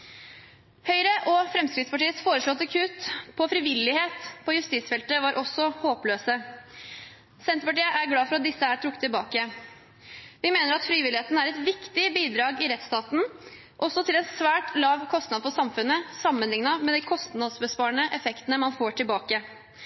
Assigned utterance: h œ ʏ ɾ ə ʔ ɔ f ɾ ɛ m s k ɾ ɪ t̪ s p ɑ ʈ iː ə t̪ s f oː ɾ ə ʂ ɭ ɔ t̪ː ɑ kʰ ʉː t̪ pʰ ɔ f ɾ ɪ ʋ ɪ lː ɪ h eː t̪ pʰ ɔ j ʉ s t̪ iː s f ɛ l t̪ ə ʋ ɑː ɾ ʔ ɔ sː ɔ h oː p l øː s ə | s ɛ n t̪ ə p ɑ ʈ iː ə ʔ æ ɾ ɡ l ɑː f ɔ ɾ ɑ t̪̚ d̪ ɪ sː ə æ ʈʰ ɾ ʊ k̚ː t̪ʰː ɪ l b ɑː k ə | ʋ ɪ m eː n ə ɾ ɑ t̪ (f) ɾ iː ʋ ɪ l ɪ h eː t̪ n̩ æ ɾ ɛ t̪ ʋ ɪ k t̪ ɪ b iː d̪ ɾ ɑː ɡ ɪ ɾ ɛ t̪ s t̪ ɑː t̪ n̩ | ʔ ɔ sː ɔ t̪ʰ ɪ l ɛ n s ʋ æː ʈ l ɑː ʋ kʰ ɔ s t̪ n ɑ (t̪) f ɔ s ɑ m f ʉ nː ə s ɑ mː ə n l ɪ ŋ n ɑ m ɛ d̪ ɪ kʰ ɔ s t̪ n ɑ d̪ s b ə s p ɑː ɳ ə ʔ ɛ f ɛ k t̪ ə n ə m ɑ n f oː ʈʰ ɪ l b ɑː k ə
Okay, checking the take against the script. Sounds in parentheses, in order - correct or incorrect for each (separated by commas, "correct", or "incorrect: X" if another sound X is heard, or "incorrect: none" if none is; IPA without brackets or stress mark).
correct, incorrect: d̪